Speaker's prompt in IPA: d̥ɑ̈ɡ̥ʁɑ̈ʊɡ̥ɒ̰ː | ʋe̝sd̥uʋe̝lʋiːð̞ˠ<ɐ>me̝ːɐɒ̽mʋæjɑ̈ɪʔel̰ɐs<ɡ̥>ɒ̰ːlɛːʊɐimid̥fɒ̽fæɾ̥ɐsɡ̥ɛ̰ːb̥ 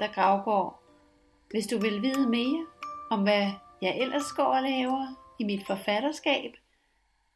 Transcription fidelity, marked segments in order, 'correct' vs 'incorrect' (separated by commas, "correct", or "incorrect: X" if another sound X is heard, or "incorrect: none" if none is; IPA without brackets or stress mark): incorrect: ə, correct